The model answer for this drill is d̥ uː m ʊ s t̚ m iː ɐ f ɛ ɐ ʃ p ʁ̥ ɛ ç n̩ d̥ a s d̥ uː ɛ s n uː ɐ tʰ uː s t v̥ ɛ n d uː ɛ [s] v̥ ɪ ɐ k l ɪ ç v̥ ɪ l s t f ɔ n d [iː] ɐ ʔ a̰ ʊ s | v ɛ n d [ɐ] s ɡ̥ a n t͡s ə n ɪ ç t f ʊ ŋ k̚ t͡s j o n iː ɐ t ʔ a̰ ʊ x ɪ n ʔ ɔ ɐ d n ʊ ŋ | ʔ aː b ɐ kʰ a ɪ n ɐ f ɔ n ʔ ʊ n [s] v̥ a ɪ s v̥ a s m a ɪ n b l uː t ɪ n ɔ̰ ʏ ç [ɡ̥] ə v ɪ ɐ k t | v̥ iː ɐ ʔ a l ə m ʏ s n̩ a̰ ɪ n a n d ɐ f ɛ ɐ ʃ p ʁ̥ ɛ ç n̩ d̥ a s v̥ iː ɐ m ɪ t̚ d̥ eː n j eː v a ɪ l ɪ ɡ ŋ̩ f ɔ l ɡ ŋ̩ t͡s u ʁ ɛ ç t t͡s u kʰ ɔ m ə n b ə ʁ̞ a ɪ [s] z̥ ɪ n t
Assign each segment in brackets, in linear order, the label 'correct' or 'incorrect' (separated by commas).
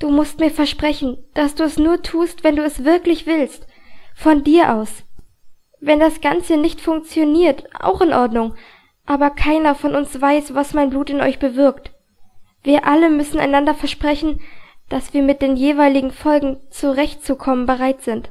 correct, correct, incorrect, correct, incorrect, incorrect